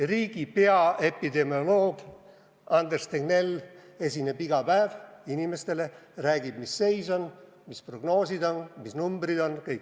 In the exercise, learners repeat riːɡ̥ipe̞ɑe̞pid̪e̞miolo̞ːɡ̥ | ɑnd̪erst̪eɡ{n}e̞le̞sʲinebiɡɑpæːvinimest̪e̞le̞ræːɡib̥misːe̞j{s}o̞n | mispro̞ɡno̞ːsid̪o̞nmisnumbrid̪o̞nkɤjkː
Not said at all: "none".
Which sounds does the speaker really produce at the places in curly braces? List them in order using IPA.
n, s

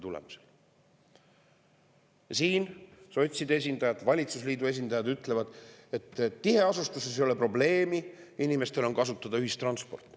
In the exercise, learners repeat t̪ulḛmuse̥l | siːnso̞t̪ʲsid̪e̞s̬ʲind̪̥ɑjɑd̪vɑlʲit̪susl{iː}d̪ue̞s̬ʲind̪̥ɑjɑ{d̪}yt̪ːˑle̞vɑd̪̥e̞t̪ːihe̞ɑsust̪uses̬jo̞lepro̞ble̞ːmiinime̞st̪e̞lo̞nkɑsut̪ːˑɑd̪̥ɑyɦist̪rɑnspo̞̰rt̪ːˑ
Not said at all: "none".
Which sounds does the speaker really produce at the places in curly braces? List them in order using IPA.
iː, d̪

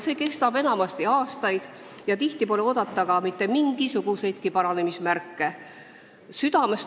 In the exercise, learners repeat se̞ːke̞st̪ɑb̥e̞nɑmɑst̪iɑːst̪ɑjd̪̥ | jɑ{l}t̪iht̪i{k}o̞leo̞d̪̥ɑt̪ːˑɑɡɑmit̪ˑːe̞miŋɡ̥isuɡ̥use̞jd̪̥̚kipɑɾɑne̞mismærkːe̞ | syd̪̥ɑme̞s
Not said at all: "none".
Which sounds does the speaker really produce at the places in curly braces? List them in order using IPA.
none, p

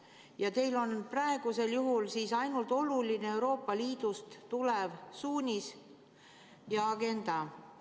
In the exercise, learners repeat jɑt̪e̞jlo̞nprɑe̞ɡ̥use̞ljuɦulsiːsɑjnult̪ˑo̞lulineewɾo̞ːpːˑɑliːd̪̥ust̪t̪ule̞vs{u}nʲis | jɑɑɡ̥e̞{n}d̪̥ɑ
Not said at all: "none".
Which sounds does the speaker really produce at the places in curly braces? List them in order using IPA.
uː, n

